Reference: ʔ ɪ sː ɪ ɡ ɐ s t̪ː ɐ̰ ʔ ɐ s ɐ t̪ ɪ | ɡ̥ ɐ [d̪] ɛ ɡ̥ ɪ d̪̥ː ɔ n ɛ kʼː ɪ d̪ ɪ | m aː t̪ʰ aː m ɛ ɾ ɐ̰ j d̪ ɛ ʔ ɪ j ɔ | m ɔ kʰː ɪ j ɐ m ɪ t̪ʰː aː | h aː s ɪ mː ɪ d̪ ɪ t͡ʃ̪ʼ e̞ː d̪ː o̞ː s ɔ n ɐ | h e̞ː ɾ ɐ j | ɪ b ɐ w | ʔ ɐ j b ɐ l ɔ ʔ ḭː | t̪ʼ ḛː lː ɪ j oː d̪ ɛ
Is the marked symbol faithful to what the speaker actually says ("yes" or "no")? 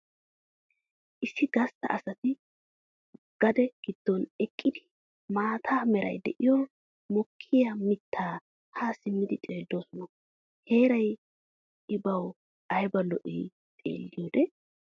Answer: yes